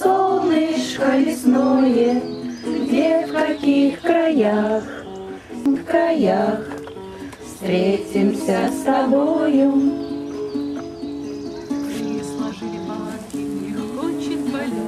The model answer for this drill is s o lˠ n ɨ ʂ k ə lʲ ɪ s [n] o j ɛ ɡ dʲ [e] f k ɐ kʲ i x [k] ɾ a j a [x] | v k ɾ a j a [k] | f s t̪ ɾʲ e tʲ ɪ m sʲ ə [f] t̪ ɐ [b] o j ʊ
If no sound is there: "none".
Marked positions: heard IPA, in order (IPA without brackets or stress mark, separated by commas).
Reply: n, e, k, x, x, s, b